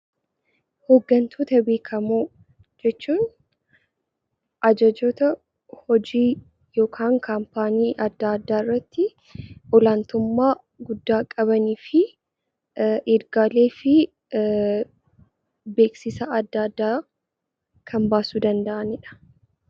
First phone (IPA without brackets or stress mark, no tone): h